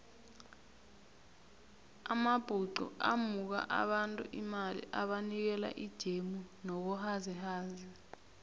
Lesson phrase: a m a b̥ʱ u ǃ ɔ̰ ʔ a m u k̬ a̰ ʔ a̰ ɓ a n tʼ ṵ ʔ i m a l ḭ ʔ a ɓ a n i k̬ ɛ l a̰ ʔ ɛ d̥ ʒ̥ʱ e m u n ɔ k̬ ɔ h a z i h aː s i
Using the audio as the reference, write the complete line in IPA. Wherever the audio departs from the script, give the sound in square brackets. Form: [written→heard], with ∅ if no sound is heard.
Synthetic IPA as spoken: a m a b̥ʱ u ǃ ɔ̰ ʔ a m u k̬ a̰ ʔ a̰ ɓ a n tʼ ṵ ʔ i m a l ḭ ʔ a ɓ a n i k̬ ɛ l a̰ ʔ [ɛ→i] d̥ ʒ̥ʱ e m u n ɔ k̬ ɔ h a z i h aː [s→z] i

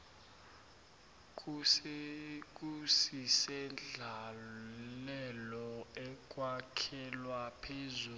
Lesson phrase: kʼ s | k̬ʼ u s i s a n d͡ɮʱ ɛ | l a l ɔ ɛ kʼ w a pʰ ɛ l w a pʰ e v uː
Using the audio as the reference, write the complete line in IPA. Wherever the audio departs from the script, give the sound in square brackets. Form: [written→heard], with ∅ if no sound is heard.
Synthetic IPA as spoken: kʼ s | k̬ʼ u s i s [a→ɛ] n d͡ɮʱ [ɛ→a] | l [a→ɛ] l ɔ ɛ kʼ w a [pʰ→kʰ] ɛ l w a pʰ e [v→z] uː

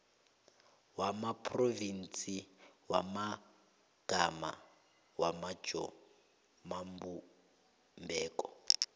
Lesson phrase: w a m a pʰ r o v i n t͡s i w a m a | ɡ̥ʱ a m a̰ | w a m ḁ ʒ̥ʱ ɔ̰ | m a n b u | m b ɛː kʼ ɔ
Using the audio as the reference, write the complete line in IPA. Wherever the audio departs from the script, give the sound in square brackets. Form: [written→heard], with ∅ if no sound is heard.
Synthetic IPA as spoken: w a m a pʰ r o v i n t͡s i w a m a | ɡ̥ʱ a m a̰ | w a m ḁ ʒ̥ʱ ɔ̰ | m a [n→m] b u | m b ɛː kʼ ɔ

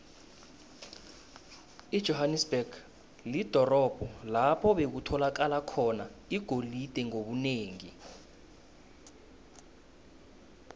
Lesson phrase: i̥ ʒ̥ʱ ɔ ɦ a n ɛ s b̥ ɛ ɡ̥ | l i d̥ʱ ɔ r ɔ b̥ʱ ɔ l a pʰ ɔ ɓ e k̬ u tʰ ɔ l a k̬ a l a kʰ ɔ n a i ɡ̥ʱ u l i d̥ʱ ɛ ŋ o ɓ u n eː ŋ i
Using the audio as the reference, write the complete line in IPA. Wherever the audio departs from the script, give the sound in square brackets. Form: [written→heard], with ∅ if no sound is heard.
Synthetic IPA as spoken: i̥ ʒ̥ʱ ɔ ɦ a n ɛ s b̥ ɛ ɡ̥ | l i d̥ʱ ɔ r ɔ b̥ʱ ɔ l a pʰ ɔ ɓ e k̬ u tʰ ɔ l a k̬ a l a kʰ ɔ n a i ɡ̥ʱ [u→o] l i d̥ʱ ɛ ŋ o ɓ u n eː ŋ i

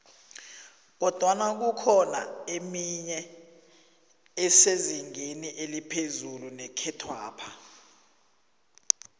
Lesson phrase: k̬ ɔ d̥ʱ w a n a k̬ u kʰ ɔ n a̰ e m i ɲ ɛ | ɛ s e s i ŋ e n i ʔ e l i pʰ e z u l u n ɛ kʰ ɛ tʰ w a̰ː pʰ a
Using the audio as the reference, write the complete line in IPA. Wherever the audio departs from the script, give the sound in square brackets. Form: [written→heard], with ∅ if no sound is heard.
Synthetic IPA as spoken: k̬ ɔ d̥ʱ w a n a k̬ u kʰ ɔ n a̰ e m i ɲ ɛ | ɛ s e [s→z] i ŋ e n i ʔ e l i pʰ e z u l u n ɛ kʰ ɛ tʰ w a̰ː pʰ a

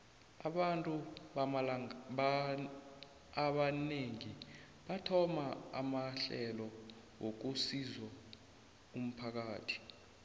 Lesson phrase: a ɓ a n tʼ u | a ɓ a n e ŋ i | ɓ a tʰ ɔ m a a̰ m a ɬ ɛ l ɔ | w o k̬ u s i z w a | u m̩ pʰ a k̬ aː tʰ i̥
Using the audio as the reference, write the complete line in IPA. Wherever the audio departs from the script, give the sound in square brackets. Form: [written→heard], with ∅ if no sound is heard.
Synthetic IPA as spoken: a ɓ a n tʼ u | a ɓ a n e ŋ i | ɓ a tʰ ɔ m a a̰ m a ɬ ɛ l ɔ | w o k̬ u s i z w a | u m̩ pʰ a k̬ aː tʰ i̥

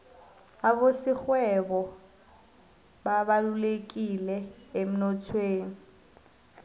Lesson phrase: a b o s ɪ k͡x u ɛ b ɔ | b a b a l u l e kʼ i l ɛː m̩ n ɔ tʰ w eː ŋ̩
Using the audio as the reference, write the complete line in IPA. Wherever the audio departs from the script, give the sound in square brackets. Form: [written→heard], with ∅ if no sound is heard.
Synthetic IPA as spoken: a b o s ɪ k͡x [u→w] ɛ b ɔ | b a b a l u l e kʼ i l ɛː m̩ n ɔ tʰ w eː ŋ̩

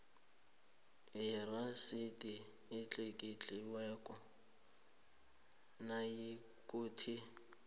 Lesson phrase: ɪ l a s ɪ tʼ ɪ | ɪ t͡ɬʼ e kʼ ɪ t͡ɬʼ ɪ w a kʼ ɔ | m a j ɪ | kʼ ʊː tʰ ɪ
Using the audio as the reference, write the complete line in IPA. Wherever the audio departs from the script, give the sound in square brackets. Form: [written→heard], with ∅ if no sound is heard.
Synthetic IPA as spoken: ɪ [l→r] a s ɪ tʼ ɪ | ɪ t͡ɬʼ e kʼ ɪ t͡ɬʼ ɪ w [a→ɛ] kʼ ɔ | [m→n] a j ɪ | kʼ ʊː tʰ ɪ

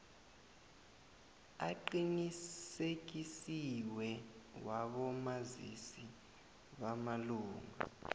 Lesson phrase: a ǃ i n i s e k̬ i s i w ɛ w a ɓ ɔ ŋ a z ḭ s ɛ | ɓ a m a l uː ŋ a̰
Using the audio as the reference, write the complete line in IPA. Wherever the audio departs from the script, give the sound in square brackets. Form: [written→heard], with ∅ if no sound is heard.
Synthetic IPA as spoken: a ǃ i n i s e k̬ i s i w ɛ w a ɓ ɔ [ŋ→m] a z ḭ s [ɛ→i] | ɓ a m a l uː ŋ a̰

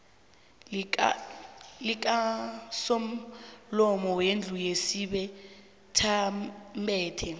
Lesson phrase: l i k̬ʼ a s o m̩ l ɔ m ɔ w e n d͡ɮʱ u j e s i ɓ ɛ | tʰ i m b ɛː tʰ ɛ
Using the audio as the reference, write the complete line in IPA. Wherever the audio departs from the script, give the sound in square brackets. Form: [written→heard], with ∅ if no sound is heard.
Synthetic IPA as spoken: l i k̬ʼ a s o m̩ l ɔ m ɔ w e n d͡ɮʱ u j e s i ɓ ɛ | tʰ [i→a] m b ɛː tʰ ɛ

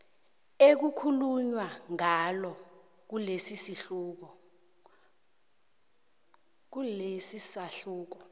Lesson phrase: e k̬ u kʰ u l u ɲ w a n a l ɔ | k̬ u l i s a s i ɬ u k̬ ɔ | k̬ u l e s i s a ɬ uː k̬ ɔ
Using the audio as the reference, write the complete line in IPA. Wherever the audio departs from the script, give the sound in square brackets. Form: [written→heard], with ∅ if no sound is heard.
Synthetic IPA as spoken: e k̬ u kʰ u l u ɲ w a [n→ŋ] a l ɔ | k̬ u l [i→e] s [a→i] s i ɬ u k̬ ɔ | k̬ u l e s i s a ɬ uː k̬ ɔ

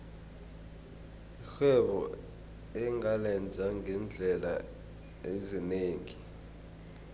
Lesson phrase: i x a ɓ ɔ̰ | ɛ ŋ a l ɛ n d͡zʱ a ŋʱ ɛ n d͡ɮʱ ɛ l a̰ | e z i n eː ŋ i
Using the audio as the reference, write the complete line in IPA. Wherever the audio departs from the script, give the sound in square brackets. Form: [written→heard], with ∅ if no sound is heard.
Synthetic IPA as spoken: i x [a→ɛ] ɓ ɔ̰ | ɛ ŋ a l ɛ n d͡zʱ a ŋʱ ɛ n d͡ɮʱ ɛ l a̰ | e z i n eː ŋ i

